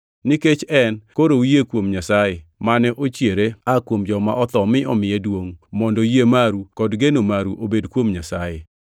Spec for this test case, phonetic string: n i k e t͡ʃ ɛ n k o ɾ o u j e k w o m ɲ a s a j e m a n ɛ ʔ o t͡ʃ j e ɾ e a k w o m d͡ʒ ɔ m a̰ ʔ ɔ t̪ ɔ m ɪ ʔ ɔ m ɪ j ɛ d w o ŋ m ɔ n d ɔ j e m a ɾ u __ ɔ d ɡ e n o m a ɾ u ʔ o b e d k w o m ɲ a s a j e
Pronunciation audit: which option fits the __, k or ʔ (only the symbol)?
k